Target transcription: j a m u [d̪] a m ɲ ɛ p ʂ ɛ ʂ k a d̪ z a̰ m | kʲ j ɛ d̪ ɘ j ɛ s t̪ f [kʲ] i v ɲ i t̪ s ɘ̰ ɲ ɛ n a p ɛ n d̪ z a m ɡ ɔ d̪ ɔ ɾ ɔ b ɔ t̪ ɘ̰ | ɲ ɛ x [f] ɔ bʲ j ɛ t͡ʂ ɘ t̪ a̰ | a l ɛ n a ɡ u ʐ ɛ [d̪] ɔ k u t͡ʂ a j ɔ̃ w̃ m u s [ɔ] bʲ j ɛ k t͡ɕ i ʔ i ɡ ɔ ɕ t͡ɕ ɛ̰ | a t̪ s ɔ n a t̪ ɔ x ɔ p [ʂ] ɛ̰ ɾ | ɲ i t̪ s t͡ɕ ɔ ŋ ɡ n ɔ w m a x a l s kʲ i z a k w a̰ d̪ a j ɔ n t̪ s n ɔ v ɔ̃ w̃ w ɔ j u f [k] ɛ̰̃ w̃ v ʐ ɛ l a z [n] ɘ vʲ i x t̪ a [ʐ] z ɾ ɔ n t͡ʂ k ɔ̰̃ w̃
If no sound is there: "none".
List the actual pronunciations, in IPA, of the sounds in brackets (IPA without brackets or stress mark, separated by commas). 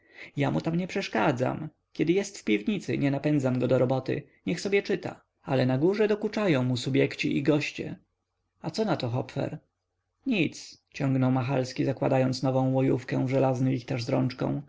t̪, pʲ, s, d̪, u, f, k, n, ʐ